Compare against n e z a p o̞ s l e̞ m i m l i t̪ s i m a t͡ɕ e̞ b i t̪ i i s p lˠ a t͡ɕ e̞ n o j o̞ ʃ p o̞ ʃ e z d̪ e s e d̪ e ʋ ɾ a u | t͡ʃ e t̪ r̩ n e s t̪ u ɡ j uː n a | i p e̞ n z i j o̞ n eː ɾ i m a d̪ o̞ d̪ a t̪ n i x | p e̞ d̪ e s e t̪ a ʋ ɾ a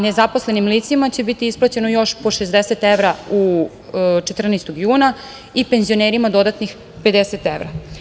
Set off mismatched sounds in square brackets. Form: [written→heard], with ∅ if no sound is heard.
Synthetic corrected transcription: n e z a p o̞ s l e̞ [m→n] i m l i t̪ s i m a t͡ɕ e̞ b i t̪ i i s p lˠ a t͡ɕ e̞ n o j o̞ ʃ p o̞ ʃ e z d̪ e s e [d̪→t̪] e ʋ ɾ a u | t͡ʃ e t̪ r̩ n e s t̪ [u→o] ɡ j uː n a | i p e̞ n z i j o̞ n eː ɾ i m a d̪ o̞ d̪ a t̪ n i x | p e̞ d̪ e s e t̪ [a→e] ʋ ɾ a